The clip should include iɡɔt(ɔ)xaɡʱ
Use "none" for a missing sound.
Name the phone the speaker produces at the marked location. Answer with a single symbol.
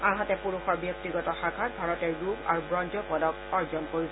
ɔ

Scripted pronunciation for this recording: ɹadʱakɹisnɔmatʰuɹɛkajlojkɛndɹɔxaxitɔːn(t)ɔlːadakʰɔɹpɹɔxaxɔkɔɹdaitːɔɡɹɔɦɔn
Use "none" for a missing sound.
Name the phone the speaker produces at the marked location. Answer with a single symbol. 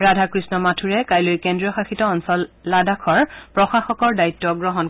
s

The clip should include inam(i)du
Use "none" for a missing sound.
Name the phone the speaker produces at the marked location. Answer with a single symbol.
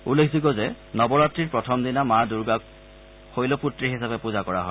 a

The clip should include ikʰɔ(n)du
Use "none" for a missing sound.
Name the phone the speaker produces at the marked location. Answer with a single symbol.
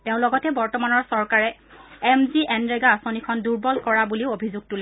n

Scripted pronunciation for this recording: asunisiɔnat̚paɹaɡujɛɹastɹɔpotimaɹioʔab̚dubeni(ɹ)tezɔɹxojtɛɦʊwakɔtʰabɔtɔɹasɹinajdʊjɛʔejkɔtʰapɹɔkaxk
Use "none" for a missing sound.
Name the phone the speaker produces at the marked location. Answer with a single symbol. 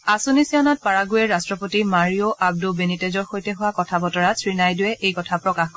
none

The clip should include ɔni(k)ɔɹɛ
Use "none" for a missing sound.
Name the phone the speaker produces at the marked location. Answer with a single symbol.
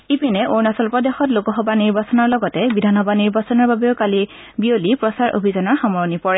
p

